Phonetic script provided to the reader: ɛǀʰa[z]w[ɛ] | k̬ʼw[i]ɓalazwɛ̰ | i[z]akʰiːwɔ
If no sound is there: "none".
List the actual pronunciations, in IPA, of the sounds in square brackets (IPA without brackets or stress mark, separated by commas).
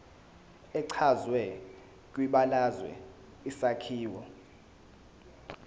z, ɛ, i, s